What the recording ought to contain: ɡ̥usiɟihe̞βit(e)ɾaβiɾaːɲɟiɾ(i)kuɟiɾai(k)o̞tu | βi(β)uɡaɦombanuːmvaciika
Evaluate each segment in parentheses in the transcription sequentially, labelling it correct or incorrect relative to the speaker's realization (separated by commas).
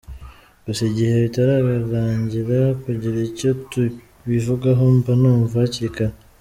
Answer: incorrect, incorrect, incorrect, incorrect